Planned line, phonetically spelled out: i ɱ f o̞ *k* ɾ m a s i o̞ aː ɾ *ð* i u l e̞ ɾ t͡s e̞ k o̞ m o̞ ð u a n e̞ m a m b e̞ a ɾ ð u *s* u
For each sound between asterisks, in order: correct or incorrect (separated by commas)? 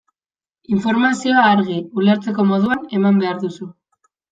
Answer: incorrect, incorrect, correct